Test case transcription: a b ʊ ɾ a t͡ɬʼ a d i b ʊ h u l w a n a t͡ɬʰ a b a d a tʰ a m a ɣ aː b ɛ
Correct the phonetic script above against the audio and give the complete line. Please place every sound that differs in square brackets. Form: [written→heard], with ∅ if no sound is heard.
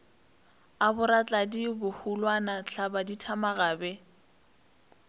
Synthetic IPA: a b ʊ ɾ a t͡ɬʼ a d i b ʊ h u l w a n a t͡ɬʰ a b a d [a→i] tʰ a m a ɣ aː b ɛ